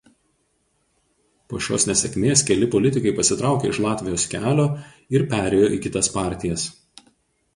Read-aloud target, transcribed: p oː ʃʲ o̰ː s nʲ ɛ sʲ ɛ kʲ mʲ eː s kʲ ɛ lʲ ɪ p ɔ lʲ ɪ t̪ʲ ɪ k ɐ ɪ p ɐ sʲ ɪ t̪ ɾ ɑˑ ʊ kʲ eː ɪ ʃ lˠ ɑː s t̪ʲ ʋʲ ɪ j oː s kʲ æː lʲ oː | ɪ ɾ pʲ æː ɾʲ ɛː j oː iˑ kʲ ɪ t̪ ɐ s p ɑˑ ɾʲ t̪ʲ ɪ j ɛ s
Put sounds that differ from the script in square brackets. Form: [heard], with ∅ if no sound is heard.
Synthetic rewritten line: p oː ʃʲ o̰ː s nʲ ɛ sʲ ɛ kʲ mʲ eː s kʲ ɛ lʲ ɪ p ɔ lʲ ɪ t̪ʲ ɪ k ɐ ɪ p ɐ sʲ ɪ t̪ ɾ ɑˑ ʊ kʲ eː ɪ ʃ lˠ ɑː [∅] t̪ʲ ʋʲ ɪ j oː s kʲ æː lʲ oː | ɪ ɾ pʲ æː ɾʲ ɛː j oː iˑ kʲ ɪ t̪ ɐ s p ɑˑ ɾʲ t̪ʲ ɪ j ɛ s